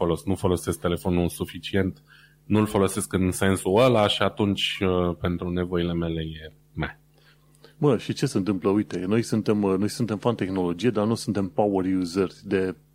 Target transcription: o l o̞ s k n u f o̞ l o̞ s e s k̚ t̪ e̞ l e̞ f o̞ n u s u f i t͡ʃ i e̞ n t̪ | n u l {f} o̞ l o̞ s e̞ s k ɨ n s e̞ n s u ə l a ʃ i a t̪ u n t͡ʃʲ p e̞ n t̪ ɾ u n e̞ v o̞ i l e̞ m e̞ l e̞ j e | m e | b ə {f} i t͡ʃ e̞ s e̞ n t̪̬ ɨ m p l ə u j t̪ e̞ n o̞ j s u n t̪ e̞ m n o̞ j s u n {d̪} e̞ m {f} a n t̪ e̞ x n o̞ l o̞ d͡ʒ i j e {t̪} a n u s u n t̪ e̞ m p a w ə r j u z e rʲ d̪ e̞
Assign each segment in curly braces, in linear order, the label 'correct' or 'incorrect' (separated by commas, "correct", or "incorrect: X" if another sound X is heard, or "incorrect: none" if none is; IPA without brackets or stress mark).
correct, incorrect: ʃ, incorrect: t̪, correct, incorrect: d̪